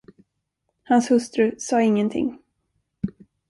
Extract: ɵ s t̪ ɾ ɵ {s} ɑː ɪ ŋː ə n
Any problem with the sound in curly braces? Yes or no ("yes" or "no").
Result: no